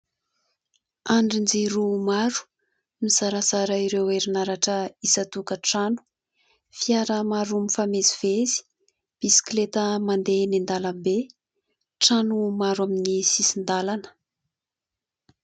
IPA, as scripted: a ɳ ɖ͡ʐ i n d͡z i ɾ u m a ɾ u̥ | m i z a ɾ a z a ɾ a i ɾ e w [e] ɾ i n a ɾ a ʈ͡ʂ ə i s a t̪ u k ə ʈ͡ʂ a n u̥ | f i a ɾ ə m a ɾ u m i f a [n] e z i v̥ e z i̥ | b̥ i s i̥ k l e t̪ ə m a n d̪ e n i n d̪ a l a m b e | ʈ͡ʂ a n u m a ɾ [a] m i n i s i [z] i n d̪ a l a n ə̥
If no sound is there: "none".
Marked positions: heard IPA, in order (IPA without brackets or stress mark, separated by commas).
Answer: e, m, a, s